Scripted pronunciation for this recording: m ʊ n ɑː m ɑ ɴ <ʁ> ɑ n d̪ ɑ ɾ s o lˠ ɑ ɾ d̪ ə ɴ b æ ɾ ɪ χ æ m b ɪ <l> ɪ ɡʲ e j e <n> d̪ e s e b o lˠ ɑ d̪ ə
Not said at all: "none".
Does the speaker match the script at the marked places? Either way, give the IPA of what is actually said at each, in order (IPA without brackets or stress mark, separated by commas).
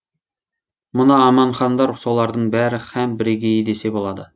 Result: χ, ɾ, none